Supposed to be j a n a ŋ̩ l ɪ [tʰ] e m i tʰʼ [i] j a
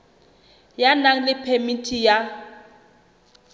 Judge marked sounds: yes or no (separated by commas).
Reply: no, yes